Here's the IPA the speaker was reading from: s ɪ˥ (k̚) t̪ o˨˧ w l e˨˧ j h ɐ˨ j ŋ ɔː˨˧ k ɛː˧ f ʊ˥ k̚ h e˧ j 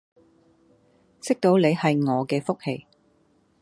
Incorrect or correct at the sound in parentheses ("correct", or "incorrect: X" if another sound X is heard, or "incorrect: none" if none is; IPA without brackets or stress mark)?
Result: correct